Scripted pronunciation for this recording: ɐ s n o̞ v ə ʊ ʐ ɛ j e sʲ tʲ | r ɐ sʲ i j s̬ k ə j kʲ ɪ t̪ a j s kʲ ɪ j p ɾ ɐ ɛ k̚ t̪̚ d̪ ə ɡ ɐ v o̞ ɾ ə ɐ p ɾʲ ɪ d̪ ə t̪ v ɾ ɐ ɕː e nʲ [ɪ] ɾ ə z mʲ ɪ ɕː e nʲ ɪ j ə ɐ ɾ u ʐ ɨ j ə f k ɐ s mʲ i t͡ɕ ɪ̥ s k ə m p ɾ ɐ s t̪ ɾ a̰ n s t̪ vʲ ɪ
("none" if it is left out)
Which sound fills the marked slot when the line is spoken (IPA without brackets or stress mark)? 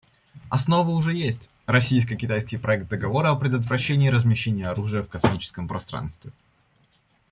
ɪː